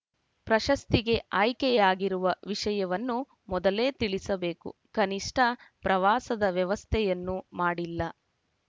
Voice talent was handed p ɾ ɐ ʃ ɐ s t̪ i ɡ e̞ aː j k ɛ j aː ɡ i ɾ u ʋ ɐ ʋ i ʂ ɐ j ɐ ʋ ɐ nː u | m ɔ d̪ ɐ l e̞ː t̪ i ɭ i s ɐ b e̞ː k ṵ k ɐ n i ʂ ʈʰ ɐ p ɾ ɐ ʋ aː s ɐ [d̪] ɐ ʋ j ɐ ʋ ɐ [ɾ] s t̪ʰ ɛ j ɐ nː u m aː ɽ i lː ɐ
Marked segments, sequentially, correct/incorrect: correct, incorrect

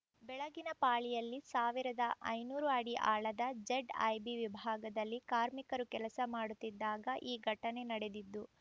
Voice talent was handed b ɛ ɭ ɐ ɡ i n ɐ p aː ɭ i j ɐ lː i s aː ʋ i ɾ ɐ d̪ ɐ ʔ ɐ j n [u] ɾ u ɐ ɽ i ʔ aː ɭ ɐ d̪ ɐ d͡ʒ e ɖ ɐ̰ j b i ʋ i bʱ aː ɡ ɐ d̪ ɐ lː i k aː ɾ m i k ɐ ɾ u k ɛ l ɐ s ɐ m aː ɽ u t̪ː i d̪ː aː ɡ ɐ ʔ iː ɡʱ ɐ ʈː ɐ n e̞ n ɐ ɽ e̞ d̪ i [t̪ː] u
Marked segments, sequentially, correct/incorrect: incorrect, incorrect

